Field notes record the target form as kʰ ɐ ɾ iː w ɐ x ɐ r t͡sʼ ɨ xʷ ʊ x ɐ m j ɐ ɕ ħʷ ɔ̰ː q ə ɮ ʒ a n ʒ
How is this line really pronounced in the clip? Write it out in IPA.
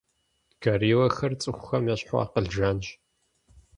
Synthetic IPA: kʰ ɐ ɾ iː w ɐ x ɐ r t͡sʼ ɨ xʷ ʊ x ɐ m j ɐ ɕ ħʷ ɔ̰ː q ə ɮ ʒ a n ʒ